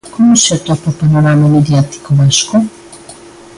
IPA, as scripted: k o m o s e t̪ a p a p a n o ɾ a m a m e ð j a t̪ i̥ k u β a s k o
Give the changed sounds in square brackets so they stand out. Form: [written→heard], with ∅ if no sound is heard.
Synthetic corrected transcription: k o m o s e t̪ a p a p a n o ɾ a m a m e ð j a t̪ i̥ k [u→o] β a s k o